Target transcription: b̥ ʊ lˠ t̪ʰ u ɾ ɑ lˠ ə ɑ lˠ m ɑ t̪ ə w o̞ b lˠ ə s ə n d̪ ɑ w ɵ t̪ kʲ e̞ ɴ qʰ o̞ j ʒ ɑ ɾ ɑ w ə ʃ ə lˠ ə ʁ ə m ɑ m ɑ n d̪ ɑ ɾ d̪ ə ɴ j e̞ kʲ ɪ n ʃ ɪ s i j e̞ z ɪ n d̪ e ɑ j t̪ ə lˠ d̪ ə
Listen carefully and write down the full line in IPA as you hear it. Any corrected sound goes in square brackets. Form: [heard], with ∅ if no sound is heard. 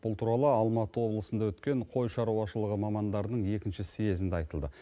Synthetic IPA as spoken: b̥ ʊ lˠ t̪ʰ u ɾ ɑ lˠ ə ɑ lˠ m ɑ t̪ ə w o̞ b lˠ ə s ə n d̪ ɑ w ɵ t̪ kʲ e̞ ɴ qʰ o̞ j [ʃ] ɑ ɾ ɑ w [ɑ] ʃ ə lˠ ə ʁ ə m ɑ m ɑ n d̪ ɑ ɾ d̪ ə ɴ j e̞ kʲ ɪ n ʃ ɪ s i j e̞ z ɪ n d̪ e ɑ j t̪ ə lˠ d̪ ə